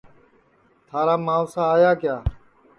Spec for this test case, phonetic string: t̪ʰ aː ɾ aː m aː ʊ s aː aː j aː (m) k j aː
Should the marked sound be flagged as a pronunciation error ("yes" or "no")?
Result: yes